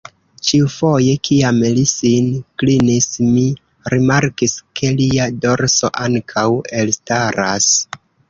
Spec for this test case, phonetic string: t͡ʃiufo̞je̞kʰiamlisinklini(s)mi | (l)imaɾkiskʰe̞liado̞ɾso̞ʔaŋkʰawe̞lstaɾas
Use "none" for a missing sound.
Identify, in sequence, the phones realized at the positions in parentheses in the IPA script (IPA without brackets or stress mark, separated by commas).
s, ɾ